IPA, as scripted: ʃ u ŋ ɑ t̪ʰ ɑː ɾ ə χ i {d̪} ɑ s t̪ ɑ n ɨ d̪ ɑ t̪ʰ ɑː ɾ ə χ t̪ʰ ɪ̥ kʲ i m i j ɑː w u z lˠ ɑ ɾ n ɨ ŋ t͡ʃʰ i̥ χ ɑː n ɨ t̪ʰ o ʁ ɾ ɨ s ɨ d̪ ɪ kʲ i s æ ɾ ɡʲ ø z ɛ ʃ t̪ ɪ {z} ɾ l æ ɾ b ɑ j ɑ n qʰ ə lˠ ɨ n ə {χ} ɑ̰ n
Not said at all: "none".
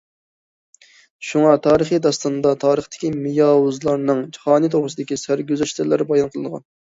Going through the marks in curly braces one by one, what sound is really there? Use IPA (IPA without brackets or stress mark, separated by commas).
d̪, none, ʁ